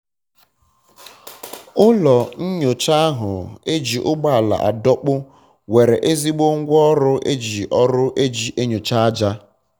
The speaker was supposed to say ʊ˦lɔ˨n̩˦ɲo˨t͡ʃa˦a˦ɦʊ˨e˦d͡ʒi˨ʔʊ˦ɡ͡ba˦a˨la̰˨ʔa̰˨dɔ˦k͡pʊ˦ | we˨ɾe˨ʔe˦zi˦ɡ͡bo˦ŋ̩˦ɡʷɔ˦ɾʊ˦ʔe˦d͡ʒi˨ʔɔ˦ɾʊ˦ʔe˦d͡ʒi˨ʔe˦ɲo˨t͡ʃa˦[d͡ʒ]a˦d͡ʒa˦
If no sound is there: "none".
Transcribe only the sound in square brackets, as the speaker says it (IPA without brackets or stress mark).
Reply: none